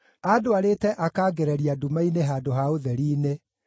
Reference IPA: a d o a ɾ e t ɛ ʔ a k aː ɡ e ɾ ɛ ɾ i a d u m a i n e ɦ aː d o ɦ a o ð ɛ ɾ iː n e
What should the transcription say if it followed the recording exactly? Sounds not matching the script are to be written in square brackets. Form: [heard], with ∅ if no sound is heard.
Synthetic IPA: a d o a ɾ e t ɛ ʔ a k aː ɡ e ɾ ɛ ɾ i a d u m a i n e ɦ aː d o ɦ a o ð ɛ ɾ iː n e